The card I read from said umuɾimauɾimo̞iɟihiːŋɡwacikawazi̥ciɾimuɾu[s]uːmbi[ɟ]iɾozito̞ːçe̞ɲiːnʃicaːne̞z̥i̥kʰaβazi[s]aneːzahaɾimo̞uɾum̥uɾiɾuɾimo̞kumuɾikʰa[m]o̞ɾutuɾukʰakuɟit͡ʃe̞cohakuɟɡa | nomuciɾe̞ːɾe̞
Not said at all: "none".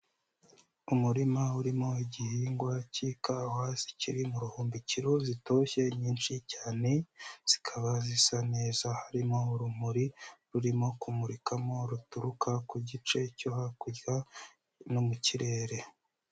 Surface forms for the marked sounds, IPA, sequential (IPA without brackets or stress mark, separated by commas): h, c, s, m